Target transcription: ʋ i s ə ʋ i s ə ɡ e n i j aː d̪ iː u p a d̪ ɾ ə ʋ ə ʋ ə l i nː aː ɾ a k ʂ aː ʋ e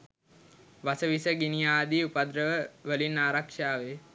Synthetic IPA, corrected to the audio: ʋ a s ə ʋ i s ə ɡ i n i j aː d̪ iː u p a d̪ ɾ ə ʋ ə ʋ ə l i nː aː ɾ a k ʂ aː ʋ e